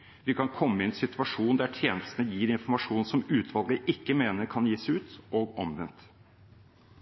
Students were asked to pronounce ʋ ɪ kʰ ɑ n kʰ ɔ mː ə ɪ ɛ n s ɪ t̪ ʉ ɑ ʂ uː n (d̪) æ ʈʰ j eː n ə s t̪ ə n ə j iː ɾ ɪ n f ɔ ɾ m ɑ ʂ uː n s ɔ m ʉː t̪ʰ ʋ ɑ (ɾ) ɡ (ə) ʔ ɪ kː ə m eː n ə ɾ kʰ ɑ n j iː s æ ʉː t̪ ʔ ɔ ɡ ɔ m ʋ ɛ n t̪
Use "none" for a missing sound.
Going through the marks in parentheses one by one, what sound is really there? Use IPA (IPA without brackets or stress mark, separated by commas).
d̪, l, ə